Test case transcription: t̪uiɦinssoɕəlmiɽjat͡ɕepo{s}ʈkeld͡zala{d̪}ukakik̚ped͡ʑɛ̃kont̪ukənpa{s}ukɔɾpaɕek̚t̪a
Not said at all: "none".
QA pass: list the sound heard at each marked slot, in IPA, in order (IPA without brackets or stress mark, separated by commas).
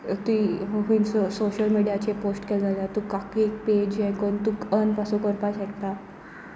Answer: s, t̪, s